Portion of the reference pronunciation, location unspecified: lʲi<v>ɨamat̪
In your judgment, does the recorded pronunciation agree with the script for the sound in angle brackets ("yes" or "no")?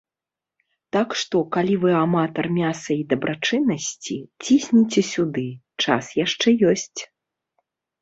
yes